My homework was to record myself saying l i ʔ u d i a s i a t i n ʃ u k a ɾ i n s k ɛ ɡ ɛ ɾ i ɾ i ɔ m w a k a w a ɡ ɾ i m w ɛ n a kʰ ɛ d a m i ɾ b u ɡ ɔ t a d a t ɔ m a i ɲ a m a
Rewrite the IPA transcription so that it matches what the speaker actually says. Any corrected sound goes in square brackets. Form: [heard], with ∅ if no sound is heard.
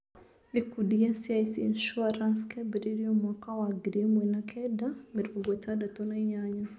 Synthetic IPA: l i [k] u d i a s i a [s] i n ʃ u [∅] a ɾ [a] n s k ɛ [b] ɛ ɾ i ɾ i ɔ m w a k a w a ɡ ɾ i m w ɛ n a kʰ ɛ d a m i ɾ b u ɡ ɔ t a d a t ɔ [n] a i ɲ a [ɲ] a